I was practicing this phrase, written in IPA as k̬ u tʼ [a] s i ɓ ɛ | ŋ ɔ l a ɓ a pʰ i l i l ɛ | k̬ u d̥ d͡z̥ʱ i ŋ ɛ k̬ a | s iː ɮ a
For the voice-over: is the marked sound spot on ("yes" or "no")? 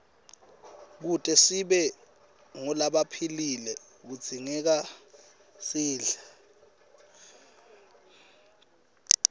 no